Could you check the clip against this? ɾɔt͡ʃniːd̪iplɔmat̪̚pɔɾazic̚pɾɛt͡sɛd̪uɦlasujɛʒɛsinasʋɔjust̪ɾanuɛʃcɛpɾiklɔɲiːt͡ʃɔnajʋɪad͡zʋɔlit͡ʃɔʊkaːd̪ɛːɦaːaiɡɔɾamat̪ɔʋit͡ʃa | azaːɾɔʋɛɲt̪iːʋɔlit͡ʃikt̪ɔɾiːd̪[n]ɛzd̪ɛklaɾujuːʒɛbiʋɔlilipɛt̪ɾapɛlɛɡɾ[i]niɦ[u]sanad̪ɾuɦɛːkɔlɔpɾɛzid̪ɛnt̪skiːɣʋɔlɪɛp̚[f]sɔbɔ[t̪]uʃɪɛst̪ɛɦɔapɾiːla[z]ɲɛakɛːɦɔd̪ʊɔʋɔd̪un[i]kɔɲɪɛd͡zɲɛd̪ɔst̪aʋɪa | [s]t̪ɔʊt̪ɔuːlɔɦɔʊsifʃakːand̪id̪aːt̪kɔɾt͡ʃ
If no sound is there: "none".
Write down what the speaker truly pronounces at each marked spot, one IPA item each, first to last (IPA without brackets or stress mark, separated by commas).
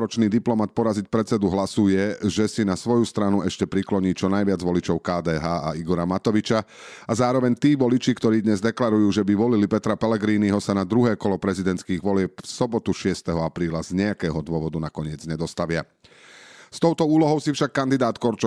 ɲ, iː, ɔ, f, t̪, z, a, s